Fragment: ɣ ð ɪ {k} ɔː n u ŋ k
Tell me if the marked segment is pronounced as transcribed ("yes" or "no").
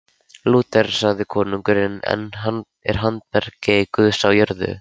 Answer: no